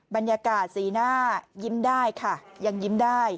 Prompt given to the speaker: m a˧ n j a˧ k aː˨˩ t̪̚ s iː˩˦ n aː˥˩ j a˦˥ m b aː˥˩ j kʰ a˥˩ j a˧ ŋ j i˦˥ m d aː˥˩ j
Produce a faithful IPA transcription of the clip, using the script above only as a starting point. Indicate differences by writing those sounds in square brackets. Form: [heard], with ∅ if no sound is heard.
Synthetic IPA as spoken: [b] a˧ n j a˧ k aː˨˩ t̪̚ s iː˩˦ n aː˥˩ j [i˦˥] m [d] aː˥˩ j kʰ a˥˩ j a˧ ŋ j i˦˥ m d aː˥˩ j

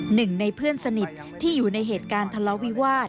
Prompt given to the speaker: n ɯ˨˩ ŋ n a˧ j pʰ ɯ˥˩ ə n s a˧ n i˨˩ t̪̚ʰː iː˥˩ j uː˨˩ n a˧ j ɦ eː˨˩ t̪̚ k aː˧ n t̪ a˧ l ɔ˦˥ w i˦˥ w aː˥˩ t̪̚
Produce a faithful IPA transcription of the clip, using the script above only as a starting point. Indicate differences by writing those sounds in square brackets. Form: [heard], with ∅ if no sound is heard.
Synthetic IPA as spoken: n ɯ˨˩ ŋ n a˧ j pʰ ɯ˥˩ ə n s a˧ n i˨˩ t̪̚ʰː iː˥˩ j uː˨˩ n a˧ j ɦ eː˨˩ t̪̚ k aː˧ n [t̪ʰ] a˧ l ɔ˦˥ w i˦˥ w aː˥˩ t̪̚

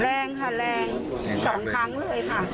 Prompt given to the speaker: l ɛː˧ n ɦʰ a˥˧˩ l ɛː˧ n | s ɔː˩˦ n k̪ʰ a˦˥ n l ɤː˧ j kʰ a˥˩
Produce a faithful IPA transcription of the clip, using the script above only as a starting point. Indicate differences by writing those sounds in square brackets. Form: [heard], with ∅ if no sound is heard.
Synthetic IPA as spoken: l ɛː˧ [ŋ] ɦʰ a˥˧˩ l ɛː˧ [ŋ] | s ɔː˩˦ [ŋ] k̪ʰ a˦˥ [ŋ] l ɤː˧ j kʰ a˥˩

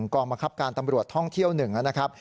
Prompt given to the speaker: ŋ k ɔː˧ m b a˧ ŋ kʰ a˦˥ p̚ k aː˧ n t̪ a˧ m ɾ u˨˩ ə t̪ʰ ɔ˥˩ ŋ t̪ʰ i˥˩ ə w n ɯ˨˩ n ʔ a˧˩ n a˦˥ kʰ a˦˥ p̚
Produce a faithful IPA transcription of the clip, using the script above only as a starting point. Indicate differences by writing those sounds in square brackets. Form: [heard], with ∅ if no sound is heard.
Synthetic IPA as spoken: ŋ k ɔː˧ [ŋ] b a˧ ŋ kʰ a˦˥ p̚ k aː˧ n t̪ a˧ m ɾ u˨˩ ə t̪ʰ ɔ˥˩ ŋ t̪ʰ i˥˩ ə w n ɯ˨˩ [ŋ] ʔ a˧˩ n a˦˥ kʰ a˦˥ p̚

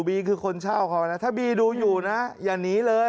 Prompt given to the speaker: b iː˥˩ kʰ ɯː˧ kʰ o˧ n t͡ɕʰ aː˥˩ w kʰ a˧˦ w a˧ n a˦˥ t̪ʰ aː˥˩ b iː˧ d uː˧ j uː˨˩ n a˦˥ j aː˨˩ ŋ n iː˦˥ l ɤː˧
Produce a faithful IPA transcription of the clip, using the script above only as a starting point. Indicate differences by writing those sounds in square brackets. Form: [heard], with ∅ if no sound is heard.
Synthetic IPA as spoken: b [iː˧] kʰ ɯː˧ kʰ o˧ n t͡ɕʰ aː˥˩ w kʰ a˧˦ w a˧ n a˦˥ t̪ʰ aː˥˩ b iː˧ d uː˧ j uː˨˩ n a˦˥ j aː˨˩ ŋ n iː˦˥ l ɤː˧

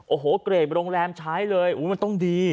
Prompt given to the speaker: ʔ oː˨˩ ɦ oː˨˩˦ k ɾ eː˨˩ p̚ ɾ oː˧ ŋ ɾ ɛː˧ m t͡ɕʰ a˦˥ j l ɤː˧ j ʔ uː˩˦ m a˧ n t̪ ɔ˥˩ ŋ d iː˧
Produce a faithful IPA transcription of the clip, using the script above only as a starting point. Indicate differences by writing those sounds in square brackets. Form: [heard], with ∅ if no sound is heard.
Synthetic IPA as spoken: ʔ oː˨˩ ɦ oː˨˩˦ k ɾ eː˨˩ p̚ ɾ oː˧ ŋ ɾ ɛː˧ m t͡ɕʰ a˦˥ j l ɤː˧ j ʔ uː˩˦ m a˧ n t̪ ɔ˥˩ ŋ d iː˧

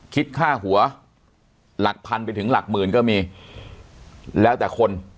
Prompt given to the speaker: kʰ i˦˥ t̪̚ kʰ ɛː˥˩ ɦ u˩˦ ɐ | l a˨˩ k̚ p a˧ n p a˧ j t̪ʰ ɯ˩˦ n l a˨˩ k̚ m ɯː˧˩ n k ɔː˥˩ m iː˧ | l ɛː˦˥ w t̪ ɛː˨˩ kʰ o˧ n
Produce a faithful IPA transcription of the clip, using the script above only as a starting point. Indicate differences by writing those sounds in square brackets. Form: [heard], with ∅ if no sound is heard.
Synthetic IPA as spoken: kʰ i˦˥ t̪̚ kʰ [aː˥˩] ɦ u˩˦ ɐ | l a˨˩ k̚ [pʰ] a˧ n p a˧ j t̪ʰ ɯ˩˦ [ŋ] l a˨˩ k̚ m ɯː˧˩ n k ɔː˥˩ m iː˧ | l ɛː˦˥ w t̪ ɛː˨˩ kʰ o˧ n

